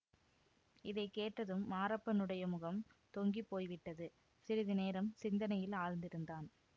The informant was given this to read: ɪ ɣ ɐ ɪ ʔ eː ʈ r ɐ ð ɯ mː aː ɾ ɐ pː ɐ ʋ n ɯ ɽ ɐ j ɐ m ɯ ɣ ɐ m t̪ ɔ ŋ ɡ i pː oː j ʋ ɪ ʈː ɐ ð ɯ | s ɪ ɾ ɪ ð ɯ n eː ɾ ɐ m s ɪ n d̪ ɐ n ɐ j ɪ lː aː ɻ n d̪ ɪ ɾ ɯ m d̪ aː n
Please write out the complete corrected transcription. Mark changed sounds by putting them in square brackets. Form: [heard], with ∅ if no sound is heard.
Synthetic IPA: ɪ [ð] ɐ ɪ [k] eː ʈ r ɐ ð ɯ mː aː ɾ ɐ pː ɐ [∅] n ɯ ɽ ɐ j ɐ m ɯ ɣ ɐ m t̪ ɔ ŋ ɡ i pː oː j ʋ ɪ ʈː ɐ ð ɯ | s ɪ ɾ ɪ ð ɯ n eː ɾ ɐ m s ɪ n d̪ ɐ n ɐ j ɪ [l] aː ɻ n d̪ ɪ ɾ ɯ [n] d̪ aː n